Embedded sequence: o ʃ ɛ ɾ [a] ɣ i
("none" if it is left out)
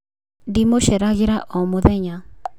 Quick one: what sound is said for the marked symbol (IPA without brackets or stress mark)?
a